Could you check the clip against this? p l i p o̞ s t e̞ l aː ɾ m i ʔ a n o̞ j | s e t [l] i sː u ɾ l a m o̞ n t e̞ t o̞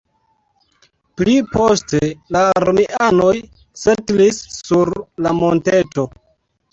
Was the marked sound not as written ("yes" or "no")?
no